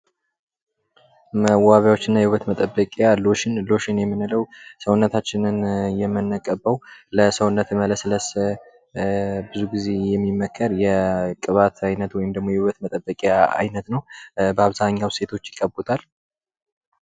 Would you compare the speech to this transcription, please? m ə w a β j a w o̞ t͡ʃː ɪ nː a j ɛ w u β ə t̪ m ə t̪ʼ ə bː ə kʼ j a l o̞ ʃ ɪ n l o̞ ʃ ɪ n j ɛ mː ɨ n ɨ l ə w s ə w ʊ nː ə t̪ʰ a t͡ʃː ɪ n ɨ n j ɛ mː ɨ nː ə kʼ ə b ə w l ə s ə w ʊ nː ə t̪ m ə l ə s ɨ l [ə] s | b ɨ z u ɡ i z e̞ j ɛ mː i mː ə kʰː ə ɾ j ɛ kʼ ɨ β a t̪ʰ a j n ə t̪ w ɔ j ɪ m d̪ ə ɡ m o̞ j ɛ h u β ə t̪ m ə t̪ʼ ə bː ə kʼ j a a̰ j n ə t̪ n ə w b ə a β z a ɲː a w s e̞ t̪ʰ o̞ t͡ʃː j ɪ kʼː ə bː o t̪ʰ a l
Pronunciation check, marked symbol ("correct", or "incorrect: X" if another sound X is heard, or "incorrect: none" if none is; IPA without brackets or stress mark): correct